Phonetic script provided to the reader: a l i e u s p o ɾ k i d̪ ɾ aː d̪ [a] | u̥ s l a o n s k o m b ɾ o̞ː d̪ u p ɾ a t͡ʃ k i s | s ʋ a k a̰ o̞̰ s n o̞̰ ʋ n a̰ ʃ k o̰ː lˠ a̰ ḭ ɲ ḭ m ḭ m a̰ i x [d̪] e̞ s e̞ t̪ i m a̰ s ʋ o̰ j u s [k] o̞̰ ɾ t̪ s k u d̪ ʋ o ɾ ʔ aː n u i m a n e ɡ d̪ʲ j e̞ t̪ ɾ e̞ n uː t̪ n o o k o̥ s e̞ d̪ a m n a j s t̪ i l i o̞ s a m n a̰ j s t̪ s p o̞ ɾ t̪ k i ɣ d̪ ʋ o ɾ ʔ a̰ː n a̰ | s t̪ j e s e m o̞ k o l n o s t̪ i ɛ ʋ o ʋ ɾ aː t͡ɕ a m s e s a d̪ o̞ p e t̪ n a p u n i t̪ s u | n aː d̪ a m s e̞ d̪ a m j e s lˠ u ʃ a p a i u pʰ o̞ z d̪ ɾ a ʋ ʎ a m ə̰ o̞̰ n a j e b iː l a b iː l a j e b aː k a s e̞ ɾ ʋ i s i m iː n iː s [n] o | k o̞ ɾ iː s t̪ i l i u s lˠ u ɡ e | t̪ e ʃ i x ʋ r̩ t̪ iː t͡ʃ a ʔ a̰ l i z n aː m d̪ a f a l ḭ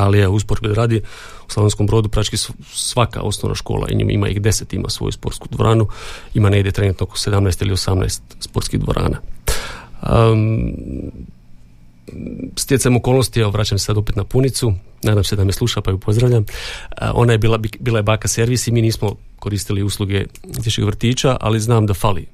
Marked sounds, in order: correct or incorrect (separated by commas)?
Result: incorrect, correct, incorrect, incorrect